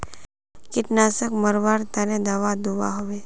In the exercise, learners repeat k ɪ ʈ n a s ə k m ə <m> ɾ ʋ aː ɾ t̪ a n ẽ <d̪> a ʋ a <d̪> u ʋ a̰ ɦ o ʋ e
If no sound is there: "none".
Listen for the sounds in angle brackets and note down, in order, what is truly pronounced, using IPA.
none, d̪, d̪

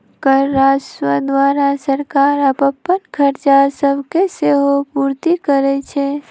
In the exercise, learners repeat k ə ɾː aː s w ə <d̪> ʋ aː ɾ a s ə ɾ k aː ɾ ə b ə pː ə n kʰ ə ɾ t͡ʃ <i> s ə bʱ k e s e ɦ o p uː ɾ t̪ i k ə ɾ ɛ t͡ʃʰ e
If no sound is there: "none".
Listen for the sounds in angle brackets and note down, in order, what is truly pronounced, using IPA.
d̪, a

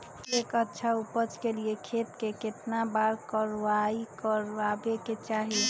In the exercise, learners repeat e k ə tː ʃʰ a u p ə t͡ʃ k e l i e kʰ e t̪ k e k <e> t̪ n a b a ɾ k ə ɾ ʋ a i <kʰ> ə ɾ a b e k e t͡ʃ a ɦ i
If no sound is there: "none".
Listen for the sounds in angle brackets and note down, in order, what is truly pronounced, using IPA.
e, k

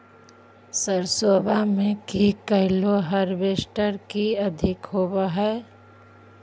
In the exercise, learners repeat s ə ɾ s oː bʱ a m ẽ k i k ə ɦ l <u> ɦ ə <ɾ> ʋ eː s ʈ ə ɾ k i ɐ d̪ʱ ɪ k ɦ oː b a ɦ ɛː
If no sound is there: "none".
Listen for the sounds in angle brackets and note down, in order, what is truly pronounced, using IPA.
o, ɾ

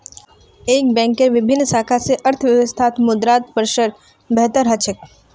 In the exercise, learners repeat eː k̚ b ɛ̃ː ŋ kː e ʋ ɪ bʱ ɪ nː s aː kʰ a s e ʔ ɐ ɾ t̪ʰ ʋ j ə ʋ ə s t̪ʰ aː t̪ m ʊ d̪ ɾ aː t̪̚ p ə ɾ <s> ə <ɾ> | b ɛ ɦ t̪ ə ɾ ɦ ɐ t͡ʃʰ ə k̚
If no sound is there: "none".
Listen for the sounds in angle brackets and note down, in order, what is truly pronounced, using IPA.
ʃ, ɾ

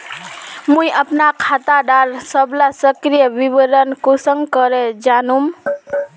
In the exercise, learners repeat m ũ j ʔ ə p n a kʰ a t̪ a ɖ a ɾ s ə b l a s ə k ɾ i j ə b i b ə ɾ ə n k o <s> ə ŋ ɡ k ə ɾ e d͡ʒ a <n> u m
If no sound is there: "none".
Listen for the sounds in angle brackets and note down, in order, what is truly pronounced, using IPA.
s, n

